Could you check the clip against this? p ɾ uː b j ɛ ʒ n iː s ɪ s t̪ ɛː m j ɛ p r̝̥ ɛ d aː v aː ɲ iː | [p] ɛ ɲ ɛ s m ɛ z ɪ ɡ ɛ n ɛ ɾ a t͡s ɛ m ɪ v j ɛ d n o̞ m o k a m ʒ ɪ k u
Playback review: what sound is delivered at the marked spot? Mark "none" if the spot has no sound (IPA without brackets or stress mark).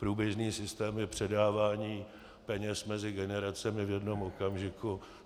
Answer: p